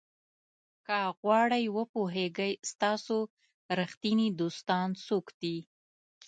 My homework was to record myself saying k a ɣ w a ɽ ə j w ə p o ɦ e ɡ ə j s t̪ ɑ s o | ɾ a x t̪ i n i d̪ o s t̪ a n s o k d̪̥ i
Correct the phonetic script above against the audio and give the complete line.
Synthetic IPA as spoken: k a ɣ w ɑ ɽ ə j w ə p o ɦ e ɡ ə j s t̪ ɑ s o | ɾ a x t̪ i n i d̪ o s t̪ ɑ n s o k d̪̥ i